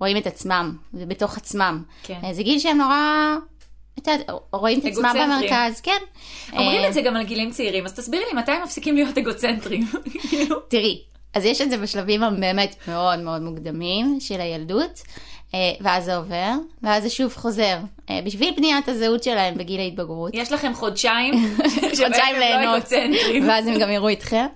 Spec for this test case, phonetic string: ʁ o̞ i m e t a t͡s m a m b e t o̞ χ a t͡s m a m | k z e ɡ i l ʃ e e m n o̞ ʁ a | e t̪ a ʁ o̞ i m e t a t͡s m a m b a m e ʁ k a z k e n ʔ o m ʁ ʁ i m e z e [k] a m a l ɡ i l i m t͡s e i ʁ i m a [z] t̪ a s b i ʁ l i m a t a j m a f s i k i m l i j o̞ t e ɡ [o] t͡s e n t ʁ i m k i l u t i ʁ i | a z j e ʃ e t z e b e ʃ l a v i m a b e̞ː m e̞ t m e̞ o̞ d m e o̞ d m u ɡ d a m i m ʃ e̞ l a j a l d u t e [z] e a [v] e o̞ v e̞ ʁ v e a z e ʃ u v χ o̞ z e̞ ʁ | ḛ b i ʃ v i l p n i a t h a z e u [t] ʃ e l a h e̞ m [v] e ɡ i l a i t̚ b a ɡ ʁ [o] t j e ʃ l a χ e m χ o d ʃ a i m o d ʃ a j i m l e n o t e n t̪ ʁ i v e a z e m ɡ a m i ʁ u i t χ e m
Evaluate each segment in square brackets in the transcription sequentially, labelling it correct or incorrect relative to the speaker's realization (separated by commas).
incorrect, correct, correct, incorrect, incorrect, correct, incorrect, incorrect